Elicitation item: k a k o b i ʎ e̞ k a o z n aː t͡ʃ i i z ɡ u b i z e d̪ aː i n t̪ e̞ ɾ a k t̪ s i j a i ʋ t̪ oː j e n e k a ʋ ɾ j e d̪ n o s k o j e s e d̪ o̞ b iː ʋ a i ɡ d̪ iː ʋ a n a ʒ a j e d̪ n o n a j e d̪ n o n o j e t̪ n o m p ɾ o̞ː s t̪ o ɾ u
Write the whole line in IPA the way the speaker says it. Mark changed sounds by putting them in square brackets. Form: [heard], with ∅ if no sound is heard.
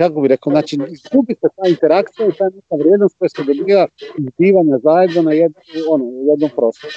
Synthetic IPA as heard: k a k o b i [ɾ] e̞ k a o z n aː t͡ʃ i i z ɡ u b i [s] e [t̪] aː i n t̪ e̞ ɾ a k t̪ s i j a i [∅] t̪ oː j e n e k a ʋ ɾ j e d̪ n o s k o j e s e d̪ o̞ b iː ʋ a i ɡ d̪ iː ʋ a [ɲ] a [z] a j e d̪ n o n a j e d̪ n o n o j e [d̪] n o m p ɾ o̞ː s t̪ o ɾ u